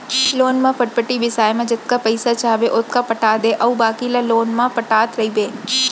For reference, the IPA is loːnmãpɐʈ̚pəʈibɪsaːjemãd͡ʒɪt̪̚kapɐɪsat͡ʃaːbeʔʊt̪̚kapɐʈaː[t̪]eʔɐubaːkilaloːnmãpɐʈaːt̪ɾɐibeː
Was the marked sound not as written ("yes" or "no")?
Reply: yes